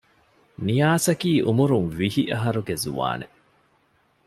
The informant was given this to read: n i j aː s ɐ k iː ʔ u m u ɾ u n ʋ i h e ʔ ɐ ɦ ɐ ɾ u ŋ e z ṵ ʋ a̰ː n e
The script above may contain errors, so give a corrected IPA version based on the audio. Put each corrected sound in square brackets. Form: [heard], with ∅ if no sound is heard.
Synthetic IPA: n i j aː s ɐ k iː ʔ u m u ɾ u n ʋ i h [i] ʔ ɐ ɦ ɐ ɾ u [ɡ] e z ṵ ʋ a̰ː n e